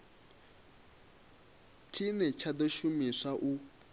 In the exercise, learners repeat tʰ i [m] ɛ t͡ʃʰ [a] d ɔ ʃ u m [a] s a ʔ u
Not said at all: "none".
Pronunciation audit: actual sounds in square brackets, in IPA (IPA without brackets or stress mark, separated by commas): n, a, i